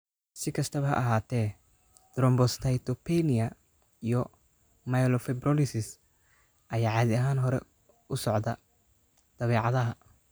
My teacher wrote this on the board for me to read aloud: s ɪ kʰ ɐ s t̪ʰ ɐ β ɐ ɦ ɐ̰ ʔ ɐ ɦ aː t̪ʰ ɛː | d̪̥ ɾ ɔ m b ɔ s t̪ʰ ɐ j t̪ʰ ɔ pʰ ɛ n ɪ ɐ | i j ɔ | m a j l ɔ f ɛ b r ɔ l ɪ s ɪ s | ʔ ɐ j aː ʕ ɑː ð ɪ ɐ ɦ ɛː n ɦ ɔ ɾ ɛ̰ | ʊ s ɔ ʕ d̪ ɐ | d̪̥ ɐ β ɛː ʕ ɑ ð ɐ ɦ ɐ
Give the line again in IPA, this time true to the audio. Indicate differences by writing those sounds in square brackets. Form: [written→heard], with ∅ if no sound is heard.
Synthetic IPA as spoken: s ɪ kʰ ɐ s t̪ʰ ɐ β ɐ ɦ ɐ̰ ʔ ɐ ɦ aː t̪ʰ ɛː | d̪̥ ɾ ɔ m b ɔ s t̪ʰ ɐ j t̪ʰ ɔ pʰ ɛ n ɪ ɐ | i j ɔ | m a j l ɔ f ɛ b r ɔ l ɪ s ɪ s | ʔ ɐ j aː ʕ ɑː ð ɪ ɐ ɦ [ɛː→aː] n ɦ ɔ ɾ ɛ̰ | ʊ s ɔ ʕ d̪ ɐ | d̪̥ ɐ β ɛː ʕ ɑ ð ɐ ɦ ɐ

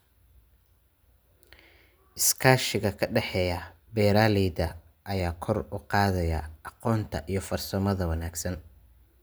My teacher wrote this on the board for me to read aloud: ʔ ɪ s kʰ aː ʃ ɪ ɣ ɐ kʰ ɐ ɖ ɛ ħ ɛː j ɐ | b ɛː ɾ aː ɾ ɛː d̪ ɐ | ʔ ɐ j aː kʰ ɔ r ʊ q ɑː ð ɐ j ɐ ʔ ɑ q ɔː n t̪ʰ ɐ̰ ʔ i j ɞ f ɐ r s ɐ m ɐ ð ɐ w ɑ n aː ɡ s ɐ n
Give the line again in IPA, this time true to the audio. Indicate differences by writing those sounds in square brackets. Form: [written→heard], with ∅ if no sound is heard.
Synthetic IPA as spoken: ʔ ɪ s kʰ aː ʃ ɪ ɣ ɐ kʰ ɐ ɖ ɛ ħ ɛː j ɐ | b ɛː ɾ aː [ɾ→l] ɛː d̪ ɐ | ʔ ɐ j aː kʰ ɔ r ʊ q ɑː ð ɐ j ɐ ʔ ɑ q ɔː n t̪ʰ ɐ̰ ʔ i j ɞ f ɐ r s ɐ m ɐ ð ɐ w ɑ n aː ɡ s ɐ n

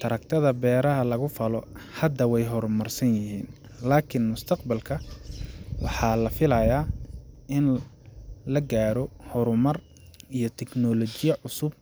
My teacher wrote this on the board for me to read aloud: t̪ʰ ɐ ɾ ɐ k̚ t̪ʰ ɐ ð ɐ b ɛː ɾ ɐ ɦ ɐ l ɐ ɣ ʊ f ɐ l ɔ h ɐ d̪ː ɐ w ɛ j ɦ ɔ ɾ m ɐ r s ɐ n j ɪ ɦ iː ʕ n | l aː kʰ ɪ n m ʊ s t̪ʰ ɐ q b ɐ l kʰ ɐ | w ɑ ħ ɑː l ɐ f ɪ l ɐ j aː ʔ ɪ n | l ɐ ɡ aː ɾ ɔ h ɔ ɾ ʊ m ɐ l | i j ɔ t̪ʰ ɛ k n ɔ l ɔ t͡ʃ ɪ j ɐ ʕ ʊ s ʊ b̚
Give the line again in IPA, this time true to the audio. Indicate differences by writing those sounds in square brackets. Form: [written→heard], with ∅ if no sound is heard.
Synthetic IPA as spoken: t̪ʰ ɐ ɾ ɐ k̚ t̪ʰ ɐ ð ɐ b ɛː ɾ ɐ ɦ ɐ l ɐ ɣ ʊ f ɐ l ɔ h ɐ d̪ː ɐ w ɛ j ɦ ɔ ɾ m ɐ r s ɐ n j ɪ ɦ iː [ʕ→∅] n | l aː kʰ ɪ n m ʊ s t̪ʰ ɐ q b ɐ l kʰ ɐ | w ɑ ħ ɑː l ɐ f ɪ l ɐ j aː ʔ ɪ n | l ɐ ɡ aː ɾ ɔ h ɔ ɾ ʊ m ɐ [l→r] | i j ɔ t̪ʰ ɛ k n ɔ l ɔ t͡ʃ ɪ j ɐ ʕ ʊ s ʊ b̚

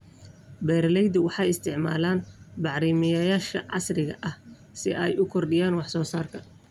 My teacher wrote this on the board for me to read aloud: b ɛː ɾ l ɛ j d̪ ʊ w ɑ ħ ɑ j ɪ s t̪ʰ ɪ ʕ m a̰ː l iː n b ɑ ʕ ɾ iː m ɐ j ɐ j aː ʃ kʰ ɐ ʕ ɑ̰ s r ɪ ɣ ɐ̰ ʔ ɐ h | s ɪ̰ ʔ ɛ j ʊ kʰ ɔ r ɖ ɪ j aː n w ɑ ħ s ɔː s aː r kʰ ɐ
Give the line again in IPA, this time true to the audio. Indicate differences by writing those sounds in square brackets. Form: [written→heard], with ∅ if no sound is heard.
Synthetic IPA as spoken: b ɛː ɾ l ɛ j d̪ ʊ w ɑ ħ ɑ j ɪ s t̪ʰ ɪ ʕ m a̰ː l [iː→aː] n b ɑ ʕ ɾ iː m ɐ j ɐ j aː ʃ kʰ ɐ ʕ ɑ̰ s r ɪ ɣ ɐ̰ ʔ ɐ h | s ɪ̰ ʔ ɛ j ʊ kʰ ɔ r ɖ ɪ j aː n w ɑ ħ s ɔː s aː r kʰ ɐ

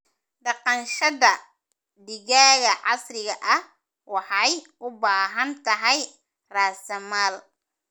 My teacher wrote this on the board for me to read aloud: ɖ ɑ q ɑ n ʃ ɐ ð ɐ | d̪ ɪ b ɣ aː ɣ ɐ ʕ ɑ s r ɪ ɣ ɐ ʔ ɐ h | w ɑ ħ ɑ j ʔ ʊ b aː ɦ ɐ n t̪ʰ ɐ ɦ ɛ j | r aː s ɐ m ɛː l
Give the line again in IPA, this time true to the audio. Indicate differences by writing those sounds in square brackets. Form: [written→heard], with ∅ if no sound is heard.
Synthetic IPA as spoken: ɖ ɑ q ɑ n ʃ ɐ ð ɐ | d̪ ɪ [b→∅] ɣ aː ɣ ɐ ʕ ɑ s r ɪ ɣ ɐ ʔ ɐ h | w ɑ ħ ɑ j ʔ ʊ b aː ɦ ɐ n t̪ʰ ɐ ɦ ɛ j | r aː s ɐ m [ɛː→aː] l

